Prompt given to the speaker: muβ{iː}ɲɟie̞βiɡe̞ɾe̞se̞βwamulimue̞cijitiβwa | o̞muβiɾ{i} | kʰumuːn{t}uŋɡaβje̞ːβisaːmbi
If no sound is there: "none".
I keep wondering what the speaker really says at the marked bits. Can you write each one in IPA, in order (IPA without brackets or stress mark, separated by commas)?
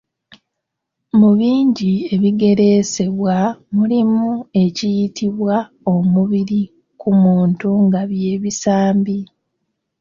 iː, i, t